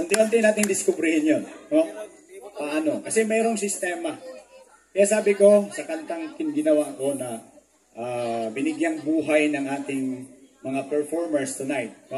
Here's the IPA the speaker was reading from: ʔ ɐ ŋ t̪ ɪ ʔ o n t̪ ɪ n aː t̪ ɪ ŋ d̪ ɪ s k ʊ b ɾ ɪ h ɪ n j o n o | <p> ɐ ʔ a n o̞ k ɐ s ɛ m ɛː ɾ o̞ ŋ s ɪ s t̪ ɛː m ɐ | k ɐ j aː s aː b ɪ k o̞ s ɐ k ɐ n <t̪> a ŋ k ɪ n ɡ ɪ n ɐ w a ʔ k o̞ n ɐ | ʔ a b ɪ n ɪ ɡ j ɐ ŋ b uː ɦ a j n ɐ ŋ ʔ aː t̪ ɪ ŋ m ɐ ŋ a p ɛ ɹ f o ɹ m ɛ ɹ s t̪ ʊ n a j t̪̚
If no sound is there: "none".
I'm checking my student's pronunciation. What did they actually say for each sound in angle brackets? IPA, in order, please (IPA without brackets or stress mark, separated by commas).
p, t̪